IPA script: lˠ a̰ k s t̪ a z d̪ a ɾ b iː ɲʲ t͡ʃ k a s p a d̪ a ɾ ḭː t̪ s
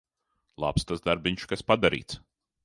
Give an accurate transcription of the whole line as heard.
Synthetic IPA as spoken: lˠ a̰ p s t̪ a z d̪ a ɾ b i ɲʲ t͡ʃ k a s p a d̪ a ɾ ḭː t̪ s